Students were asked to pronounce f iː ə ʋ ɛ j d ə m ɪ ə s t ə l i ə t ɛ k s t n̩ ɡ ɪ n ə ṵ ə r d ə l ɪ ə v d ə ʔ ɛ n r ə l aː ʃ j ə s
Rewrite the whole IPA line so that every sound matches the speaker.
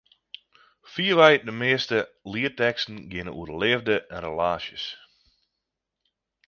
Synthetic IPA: f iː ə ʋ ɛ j d ə m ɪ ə s t ə l i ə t ɛ k s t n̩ ɡ ɪ n ə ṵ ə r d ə l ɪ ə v d ə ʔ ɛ n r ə l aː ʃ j ə s